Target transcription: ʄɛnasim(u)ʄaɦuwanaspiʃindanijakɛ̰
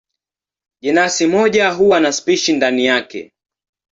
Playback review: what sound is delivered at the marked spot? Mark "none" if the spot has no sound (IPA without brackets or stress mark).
ɔ